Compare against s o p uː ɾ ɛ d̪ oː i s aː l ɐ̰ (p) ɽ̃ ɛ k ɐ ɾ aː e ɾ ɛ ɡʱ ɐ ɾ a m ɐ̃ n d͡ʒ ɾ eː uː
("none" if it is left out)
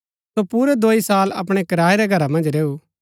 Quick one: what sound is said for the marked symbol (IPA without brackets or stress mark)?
p